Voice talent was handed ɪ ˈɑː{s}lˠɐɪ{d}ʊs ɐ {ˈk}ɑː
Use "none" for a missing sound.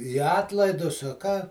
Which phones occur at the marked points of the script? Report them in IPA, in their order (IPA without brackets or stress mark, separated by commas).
t, d, k